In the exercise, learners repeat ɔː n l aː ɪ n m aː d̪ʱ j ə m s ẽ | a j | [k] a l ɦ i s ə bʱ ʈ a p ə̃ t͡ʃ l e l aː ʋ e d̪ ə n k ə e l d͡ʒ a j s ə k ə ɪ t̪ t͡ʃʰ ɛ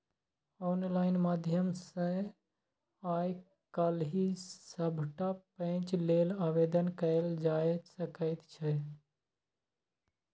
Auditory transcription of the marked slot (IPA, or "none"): k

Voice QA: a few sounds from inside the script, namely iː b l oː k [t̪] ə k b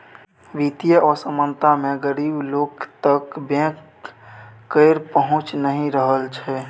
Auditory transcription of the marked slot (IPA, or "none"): t̪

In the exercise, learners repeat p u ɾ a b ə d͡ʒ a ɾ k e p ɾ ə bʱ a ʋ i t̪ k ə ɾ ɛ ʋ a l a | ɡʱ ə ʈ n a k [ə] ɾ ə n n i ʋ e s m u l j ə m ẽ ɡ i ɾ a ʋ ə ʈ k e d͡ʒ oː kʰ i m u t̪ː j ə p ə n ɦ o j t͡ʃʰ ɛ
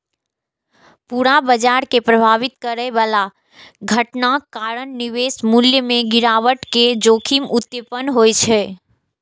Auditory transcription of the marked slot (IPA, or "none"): a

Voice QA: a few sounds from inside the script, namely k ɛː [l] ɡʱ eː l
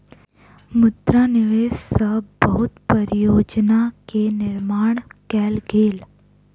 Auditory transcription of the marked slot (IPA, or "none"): l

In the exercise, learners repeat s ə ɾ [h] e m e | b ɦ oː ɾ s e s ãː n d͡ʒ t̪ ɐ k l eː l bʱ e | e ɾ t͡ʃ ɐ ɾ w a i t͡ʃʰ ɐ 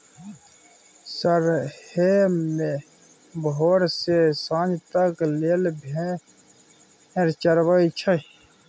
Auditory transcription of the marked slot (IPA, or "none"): h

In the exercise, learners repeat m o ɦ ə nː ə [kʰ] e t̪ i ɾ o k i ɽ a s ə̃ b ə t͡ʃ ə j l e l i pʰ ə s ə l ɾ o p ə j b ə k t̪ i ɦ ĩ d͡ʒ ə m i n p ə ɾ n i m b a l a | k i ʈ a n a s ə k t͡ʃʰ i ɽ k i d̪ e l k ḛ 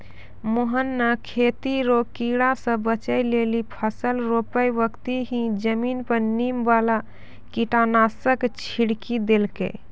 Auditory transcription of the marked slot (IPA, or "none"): kʰ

